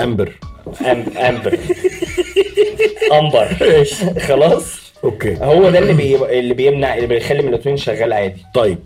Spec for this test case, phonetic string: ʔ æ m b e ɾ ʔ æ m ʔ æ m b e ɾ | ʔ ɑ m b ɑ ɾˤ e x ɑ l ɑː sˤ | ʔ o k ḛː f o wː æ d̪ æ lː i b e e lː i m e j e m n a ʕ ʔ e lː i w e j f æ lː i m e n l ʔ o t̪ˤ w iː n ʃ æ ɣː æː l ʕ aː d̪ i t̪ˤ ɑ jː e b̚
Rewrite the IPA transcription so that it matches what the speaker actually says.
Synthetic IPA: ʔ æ m b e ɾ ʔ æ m ʔ æ m b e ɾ | ʔ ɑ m b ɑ ɾˤ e x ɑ l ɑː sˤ | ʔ o k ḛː h o wː æ d̪ æ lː i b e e lː i b e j e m n a ʕ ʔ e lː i b e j x æ lː i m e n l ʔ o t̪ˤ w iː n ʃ æ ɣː æː l ʕ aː d̪ i t̪ˤ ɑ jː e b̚